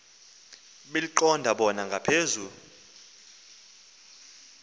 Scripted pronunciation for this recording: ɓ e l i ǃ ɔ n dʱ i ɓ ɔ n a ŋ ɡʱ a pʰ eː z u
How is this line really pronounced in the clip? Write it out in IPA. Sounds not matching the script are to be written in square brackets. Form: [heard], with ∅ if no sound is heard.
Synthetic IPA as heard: ɓ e l i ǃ ɔ n dʱ [a] ɓ ɔ n a ŋ ɡʱ a pʰ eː z u